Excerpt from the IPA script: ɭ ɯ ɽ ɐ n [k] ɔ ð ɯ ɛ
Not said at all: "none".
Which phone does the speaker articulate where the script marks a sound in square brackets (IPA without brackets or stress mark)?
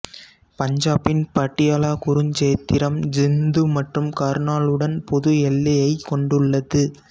p